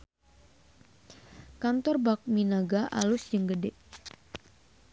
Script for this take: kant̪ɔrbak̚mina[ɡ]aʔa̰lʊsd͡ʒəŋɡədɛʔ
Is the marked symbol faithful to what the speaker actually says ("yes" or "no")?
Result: yes